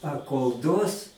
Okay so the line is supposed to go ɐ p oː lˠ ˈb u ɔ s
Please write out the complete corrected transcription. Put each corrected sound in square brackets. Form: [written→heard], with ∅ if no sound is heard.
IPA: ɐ [p→k] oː lˠ [ˈb→ˈd] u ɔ s